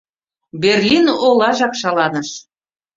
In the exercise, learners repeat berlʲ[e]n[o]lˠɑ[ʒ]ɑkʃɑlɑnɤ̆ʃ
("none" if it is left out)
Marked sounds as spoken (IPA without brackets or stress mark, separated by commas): i, o, ʒ